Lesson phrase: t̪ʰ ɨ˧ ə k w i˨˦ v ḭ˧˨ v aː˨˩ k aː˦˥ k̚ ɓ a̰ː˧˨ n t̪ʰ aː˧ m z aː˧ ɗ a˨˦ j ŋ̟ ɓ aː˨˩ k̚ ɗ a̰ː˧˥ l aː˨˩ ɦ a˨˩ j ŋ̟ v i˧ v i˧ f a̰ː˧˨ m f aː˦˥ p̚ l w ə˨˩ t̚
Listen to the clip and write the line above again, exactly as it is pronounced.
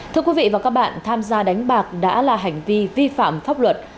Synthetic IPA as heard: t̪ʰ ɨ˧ ə k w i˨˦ v ḭ˧˨ v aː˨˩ k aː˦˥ k̚ ɓ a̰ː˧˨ n t̪ʰ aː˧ m z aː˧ ɗ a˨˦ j ŋ̟ ɓ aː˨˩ k̚ ɗ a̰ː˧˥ l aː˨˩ ɦ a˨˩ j ŋ̟ v i˧ v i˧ f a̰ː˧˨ m f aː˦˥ p̚ l w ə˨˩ t̚